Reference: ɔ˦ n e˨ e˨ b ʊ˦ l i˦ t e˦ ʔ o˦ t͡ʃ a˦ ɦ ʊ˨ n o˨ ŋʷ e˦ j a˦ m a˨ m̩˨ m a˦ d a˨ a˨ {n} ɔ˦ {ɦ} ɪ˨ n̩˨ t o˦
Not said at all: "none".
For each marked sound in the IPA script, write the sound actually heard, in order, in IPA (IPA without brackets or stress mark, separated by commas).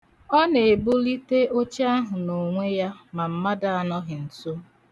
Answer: n, ɦ